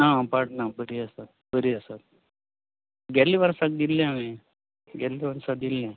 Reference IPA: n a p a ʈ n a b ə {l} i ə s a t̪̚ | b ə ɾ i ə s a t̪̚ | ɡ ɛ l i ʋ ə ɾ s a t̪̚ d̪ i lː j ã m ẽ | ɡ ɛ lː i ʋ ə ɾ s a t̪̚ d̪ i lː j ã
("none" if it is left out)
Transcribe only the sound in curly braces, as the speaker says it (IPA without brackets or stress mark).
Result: ɾ